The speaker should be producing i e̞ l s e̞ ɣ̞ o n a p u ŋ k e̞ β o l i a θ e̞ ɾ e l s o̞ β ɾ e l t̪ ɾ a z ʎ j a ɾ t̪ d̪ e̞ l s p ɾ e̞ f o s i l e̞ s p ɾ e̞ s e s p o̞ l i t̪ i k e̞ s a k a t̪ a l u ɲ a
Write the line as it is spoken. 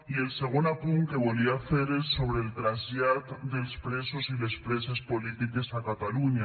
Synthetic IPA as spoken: i e̞ l s e̞ ɣ̞ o n a p u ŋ k e̞ β o l i a θ e̞ ɾ e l s o̞ β ɾ e l t̪ ɾ a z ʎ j a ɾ t̪ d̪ e̞ l s p ɾ e̞ s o s i l e̞ s p ɾ e̞ s e s p o̞ l i t̪ i k e̞ s a k a t̪ a l u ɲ a